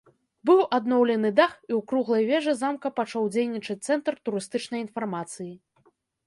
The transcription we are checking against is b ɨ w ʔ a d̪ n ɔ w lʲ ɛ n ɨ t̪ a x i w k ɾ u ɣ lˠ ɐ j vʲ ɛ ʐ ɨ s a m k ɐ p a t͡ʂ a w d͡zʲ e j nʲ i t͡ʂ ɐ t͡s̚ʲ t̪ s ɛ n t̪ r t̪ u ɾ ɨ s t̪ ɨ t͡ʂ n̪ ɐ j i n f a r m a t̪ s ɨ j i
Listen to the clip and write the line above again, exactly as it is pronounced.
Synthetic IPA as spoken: b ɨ w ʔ a d̪ n ɔ w lʲ ɛ n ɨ d̪ a x i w k ɾ u ɣ lˠ ɐ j vʲ ɛ ʐ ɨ z a m k ɐ p a t͡ʂ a w d͡zʲ e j nʲ i t͡ʂ ɐ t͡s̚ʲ t̪ s ɛ n t̪ r t̪ u ɾ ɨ s t̪ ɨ t͡ʂ n̪ ɐ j i n f a r m a t̪ s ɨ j i